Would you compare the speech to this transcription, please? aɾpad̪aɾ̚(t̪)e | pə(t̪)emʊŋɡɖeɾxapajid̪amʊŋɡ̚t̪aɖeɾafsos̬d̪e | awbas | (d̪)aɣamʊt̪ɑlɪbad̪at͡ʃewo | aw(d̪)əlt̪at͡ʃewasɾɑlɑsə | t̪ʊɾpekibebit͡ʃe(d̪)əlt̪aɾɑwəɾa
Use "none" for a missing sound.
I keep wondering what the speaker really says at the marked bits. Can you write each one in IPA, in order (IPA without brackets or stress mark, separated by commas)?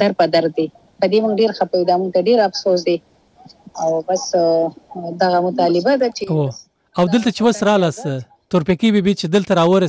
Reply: d̪, d̪, d̪, d̪, d̪